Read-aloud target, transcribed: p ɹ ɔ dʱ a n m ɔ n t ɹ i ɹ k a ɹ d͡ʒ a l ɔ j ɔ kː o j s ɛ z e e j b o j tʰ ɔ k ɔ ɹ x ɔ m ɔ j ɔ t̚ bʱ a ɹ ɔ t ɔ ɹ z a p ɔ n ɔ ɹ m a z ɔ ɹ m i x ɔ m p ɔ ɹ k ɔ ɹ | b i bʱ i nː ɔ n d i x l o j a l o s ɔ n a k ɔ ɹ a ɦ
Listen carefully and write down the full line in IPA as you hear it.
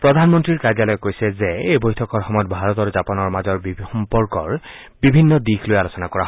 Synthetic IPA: p ɹ ɔ dʱ a n m ɔ n t ɹ i ɹ k a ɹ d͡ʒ a l ɔ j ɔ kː o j s ɛ z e e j b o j tʰ ɔ k ɔ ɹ x ɔ m ɔ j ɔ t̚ bʱ a ɹ ɔ t ɔ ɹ z a p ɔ n ɔ ɹ m a z ɔ ɹ b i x ɔ m p ɔ ɹ k ɔ ɹ | b i bʱ i nː ɔ d i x l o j a l o s ɔ n a k ɔ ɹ a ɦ